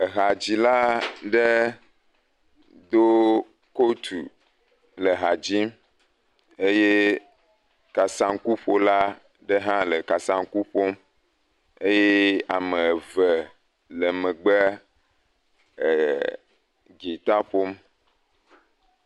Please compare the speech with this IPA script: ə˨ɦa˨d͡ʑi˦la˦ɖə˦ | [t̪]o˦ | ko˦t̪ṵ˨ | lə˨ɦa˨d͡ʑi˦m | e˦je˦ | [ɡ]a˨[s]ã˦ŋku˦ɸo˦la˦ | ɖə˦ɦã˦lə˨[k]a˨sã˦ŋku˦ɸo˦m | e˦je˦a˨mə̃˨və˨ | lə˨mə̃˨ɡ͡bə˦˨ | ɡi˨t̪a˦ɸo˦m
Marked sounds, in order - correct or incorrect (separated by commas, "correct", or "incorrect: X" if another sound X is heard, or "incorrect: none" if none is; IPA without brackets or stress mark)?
incorrect: d̪, incorrect: k, correct, correct